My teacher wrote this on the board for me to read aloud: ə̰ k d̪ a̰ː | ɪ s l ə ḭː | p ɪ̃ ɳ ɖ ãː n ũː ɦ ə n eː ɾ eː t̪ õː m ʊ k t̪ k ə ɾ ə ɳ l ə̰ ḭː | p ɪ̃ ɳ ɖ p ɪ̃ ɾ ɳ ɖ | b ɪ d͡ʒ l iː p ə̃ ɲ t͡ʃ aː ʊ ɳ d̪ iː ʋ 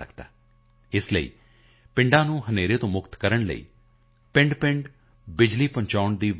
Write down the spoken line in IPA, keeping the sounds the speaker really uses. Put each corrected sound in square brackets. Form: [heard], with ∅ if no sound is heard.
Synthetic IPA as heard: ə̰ k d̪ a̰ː | ɪ s l ə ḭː | p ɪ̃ ɳ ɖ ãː n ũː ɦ ə n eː ɾ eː t̪ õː m ʊ k t̪ k ə ɾ ə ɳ l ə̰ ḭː | p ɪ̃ ɳ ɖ p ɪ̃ [∅] ɳ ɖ | b ɪ d͡ʒ l iː p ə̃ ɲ t͡ʃ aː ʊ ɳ d̪ iː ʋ

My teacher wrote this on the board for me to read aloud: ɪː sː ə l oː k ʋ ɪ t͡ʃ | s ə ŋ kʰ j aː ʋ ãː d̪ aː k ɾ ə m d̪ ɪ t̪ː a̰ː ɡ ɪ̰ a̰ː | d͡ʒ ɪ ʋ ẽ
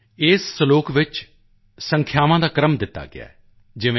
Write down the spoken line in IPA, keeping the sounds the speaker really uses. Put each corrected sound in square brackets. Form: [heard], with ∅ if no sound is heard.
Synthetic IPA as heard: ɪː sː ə l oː k ʋ ɪ t͡ʃ | s ə ŋ kʰ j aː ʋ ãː d̪ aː k ɾ ə m d̪ ɪ t̪ː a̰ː ɡ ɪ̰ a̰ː | d͡ʒ ɪ ʋ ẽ

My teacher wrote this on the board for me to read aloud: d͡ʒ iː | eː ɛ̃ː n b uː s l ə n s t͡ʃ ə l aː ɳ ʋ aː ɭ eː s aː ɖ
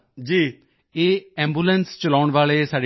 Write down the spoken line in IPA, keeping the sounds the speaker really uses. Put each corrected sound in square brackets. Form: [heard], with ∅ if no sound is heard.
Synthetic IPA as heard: d͡ʒ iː | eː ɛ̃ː [m] b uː [∅] l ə n s t͡ʃ ə l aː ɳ ʋ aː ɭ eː s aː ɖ

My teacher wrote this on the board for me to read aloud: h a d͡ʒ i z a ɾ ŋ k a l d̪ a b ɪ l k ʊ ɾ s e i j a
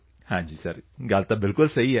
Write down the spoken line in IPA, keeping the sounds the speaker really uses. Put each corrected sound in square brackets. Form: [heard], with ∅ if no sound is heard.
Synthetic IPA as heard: h a d͡ʒ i [s] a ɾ ŋ [ɡ] a l [t̪] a b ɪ l k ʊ [l] s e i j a

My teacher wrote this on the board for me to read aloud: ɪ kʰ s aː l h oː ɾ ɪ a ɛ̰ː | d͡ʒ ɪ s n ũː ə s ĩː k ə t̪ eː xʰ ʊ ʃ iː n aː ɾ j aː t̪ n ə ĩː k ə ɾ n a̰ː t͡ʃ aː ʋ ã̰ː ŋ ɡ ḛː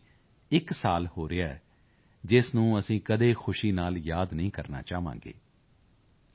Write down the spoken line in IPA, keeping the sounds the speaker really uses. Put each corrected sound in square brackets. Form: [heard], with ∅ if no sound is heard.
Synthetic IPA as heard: ɪ [k] s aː l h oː ɾ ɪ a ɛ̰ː | d͡ʒ ɪ s n ũː ə s ĩː k ə [d̪] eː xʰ ʊ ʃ iː n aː [l] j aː [d̪] n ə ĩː k ə ɾ n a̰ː t͡ʃ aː ʋ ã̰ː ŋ ɡ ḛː

